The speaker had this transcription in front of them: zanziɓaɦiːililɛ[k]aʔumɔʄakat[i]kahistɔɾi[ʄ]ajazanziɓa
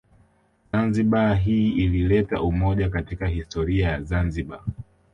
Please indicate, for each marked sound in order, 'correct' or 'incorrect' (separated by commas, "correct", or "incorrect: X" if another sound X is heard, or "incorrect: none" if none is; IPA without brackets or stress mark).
incorrect: t, correct, incorrect: none